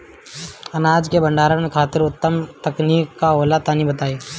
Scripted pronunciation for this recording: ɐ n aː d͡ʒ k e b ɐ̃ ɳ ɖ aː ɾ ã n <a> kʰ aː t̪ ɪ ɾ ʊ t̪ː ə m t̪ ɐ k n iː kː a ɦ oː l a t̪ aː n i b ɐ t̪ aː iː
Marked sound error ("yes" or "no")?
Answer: yes